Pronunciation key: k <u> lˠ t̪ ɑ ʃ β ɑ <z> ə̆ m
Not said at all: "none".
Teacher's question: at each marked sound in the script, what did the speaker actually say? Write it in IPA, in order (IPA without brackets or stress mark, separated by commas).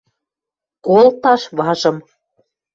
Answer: o, ʒ